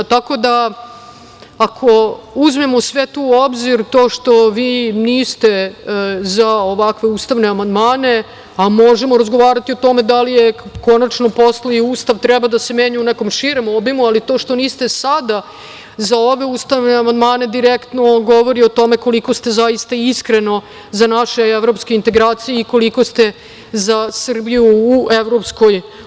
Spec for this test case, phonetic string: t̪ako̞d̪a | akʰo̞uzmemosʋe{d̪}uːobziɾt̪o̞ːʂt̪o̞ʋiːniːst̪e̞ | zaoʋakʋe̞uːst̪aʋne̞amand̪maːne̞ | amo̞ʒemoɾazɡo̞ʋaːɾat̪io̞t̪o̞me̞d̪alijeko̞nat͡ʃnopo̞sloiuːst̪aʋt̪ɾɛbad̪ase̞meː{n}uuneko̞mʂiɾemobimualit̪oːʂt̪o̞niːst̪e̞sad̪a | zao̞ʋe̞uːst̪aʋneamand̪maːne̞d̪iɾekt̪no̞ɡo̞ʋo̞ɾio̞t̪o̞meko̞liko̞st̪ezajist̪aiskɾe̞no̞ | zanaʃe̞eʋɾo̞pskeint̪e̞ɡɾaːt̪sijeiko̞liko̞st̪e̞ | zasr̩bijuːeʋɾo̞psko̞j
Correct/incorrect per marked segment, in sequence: incorrect: t̪, incorrect: ɲ

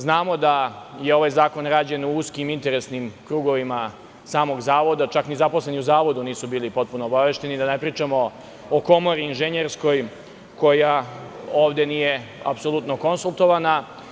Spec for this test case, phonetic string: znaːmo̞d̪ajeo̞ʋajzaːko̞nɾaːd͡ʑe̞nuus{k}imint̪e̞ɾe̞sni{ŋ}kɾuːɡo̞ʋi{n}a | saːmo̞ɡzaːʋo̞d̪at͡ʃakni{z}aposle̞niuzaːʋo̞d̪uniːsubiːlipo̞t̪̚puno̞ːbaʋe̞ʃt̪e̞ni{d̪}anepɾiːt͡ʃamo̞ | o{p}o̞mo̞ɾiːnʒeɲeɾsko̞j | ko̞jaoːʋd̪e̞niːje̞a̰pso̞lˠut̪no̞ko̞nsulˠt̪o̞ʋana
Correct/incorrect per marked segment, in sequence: correct, incorrect: m, incorrect: m, correct, correct, incorrect: k

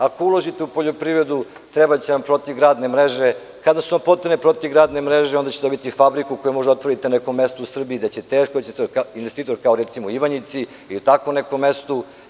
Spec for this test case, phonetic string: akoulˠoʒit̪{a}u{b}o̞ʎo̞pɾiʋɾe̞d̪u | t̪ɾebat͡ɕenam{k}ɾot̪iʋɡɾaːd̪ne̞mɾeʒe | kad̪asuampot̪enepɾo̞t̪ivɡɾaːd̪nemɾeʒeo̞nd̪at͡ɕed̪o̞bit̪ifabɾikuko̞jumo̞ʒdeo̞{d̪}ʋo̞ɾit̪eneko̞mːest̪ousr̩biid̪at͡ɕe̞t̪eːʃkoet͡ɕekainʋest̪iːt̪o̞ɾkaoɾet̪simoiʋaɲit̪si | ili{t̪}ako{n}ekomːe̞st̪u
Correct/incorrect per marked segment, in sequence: incorrect: e, incorrect: p, incorrect: p, incorrect: t̪, correct, correct

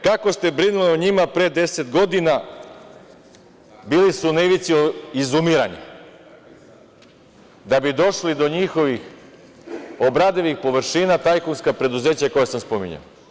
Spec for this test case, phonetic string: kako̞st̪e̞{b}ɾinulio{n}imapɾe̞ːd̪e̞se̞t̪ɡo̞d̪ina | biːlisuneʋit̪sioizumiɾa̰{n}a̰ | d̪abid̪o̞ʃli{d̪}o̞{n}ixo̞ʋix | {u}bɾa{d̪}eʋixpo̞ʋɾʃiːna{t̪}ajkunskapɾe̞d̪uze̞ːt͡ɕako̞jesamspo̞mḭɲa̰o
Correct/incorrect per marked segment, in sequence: correct, incorrect: ɲ, incorrect: ɲ, correct, incorrect: ɲ, incorrect: o, correct, correct

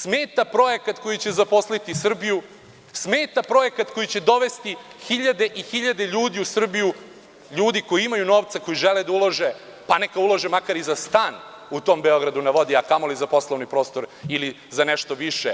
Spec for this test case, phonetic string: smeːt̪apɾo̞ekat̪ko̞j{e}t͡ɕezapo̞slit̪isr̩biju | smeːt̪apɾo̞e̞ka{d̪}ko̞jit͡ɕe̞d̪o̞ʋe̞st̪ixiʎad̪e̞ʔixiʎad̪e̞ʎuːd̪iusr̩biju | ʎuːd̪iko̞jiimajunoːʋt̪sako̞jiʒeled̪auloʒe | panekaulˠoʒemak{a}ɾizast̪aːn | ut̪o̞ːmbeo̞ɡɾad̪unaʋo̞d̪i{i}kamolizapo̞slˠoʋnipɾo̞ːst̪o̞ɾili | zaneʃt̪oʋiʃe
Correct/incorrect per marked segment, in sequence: incorrect: i, incorrect: t̪, correct, incorrect: a

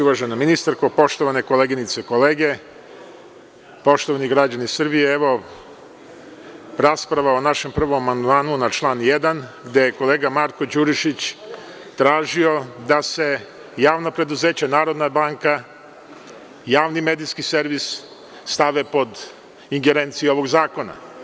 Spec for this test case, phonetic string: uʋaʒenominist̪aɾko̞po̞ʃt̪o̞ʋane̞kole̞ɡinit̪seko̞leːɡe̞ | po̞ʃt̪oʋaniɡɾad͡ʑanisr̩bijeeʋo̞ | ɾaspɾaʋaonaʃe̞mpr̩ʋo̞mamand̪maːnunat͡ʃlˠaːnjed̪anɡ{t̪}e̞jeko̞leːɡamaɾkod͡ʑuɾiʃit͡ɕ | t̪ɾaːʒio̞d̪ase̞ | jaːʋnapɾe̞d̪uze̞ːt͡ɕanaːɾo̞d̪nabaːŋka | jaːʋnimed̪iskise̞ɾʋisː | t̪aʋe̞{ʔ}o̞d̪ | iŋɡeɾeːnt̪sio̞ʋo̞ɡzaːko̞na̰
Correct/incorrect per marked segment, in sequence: incorrect: d̪, incorrect: p

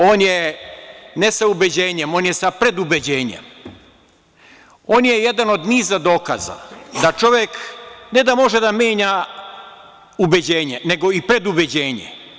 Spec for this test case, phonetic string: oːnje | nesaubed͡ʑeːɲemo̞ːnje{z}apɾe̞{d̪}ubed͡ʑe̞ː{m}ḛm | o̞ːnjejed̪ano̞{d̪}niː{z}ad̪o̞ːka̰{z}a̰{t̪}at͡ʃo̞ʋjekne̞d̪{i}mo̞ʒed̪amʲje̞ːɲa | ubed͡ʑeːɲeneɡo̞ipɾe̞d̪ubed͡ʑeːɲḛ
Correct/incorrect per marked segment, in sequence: incorrect: s, correct, incorrect: ɲ, correct, correct, correct, incorrect: d̪, incorrect: a

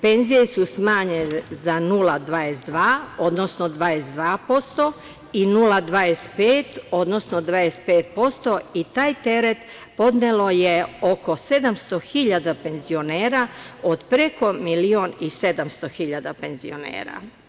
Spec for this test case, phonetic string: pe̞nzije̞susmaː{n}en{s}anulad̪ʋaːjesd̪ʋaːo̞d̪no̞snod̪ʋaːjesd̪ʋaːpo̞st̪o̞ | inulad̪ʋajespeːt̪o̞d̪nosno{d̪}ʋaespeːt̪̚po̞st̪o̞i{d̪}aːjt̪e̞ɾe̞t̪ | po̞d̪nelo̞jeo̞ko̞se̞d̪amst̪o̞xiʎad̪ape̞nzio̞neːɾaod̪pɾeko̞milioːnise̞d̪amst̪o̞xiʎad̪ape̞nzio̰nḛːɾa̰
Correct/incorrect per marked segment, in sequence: incorrect: ɲ, incorrect: z, correct, incorrect: t̪

